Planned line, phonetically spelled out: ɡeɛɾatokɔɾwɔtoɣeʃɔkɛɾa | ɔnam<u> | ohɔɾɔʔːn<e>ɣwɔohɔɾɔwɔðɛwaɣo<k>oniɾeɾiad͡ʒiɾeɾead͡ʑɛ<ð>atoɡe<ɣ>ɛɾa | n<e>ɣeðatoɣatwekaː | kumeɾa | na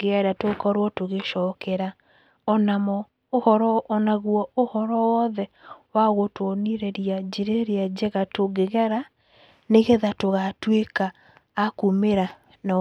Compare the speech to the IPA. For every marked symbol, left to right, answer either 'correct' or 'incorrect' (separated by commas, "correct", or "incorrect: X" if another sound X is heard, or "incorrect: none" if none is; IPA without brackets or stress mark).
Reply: incorrect: ɔ, incorrect: a, incorrect: t, incorrect: ɣ, correct, correct